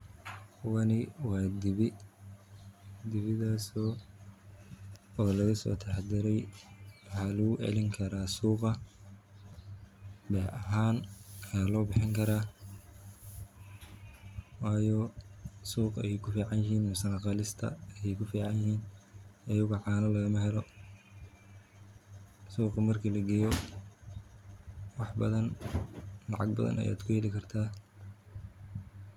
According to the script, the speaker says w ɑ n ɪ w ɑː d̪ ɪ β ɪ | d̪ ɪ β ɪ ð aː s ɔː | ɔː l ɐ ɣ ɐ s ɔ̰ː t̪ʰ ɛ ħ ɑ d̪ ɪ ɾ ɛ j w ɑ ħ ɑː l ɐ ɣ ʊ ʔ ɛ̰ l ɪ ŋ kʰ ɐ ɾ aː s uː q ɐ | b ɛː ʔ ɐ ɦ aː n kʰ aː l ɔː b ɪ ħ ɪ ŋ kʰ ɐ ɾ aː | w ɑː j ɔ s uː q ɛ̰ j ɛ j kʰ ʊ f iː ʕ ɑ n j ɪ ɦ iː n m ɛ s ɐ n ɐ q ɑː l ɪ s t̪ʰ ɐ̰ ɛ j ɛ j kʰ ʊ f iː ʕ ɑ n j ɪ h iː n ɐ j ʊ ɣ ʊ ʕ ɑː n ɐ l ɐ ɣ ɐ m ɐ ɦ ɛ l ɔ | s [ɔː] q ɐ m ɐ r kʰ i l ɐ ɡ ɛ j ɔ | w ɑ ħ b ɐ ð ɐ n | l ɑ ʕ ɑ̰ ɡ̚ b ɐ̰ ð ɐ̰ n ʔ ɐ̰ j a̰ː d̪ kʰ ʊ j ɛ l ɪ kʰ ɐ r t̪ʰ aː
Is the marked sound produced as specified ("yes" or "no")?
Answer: no